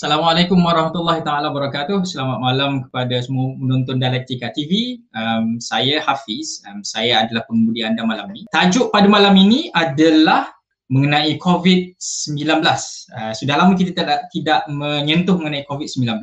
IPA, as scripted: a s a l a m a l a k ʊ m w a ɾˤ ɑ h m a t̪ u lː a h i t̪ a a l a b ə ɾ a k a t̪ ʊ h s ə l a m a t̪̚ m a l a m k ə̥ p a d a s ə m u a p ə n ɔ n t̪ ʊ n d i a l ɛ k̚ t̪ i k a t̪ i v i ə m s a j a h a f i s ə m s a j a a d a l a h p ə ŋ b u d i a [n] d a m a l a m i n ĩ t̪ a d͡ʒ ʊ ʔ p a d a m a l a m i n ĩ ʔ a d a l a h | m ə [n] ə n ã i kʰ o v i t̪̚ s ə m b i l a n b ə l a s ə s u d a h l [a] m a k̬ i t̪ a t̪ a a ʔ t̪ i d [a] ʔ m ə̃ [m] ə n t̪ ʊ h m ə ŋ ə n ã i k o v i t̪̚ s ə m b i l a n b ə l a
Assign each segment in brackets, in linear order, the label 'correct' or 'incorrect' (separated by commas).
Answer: correct, incorrect, correct, correct, incorrect